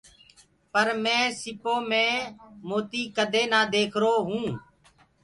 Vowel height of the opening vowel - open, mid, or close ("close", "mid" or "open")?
mid